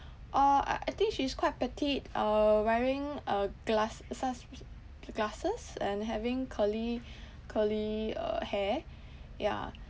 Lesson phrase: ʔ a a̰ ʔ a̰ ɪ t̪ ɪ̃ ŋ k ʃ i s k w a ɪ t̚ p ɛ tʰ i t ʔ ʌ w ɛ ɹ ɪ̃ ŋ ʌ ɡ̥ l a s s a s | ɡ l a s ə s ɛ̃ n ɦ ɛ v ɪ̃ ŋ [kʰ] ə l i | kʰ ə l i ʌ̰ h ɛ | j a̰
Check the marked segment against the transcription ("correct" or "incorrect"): correct